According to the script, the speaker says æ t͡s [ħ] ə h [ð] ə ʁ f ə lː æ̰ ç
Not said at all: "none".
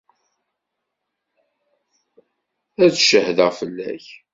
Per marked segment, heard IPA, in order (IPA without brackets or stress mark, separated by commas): ʃ, ð